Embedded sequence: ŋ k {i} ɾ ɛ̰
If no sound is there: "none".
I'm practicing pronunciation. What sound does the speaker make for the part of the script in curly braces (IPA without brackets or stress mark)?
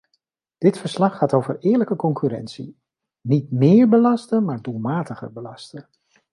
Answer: y